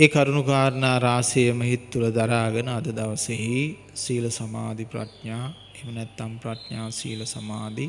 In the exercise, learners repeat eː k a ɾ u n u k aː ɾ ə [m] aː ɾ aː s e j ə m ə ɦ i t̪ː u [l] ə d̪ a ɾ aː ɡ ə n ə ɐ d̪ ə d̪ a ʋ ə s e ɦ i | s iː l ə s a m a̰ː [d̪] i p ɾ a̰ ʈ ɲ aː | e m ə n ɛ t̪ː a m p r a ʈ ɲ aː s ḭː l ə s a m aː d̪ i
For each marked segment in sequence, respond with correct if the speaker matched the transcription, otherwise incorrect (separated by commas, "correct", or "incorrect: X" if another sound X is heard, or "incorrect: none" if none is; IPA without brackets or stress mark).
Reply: incorrect: n, correct, correct